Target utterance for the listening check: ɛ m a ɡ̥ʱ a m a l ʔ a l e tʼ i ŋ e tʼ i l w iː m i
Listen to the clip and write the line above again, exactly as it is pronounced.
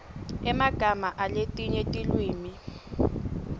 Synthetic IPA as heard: ɛ m a ɡ̥ʱ a m a ʔ a l e tʼ i ɲ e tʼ i l w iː m i

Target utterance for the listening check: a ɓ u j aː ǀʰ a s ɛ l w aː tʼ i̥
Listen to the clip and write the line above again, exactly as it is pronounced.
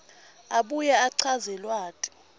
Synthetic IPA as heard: a ɓ u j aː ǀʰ a z ɛ l w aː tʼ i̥

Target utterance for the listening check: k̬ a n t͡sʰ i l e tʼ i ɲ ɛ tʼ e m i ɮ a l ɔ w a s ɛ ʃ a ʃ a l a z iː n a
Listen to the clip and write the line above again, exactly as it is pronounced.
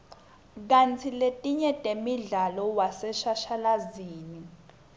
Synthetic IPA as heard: k̬ a n t͡sʰ i l e tʼ i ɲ ɛ tʼ e m i ɮ a l ɔ w a s ɛ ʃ a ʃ a l a z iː n i

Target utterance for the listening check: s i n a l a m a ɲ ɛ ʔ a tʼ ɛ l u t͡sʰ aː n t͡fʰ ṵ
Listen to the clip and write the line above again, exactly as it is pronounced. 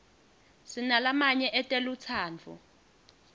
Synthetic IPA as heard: s i n a l a m a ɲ ɛ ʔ ɛ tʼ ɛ l u t͡sʰ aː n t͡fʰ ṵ

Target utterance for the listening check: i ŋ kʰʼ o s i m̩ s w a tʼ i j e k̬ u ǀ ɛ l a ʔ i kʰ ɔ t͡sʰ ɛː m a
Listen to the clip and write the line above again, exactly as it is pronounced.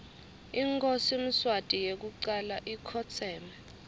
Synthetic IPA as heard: i ŋ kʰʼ o s i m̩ s w a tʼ i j e k̬ u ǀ a l a ʔ i kʰ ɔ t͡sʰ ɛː m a

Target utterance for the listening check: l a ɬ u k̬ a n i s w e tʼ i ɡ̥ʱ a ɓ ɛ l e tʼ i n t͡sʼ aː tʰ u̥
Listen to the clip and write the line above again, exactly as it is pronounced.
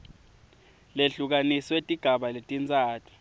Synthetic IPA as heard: l e ɬ u k̬ a n i s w e tʼ i ɡ̥ʱ a ɓ a l e tʼ i n t͡sʼ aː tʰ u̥

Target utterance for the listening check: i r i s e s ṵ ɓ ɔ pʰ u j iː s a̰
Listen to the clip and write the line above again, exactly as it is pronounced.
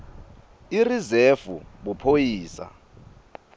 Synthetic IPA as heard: i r i z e f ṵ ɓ u pʰ o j iː s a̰

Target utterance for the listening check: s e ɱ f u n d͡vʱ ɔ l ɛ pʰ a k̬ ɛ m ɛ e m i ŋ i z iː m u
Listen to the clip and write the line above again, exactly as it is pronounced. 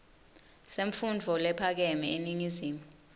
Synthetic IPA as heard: s e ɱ f u n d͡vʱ ɔ l ɛ pʰ a k̬ ɛ m ɛ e n i ŋ i z iː m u

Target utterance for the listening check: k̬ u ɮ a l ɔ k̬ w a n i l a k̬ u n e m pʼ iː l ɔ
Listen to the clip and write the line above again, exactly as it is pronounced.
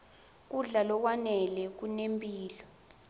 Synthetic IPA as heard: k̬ u ɮ a l ɔ k̬ w a n ɛ l ɛ k̬ u n e m pʼ iː l ɔ

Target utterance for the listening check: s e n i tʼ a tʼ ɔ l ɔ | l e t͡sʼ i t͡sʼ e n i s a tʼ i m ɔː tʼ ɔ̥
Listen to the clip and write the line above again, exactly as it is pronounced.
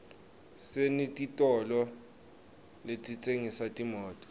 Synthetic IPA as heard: s e n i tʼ i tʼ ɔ l ɔ | l e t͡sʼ i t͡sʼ e ŋ i s a tʼ i m ɔː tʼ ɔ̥

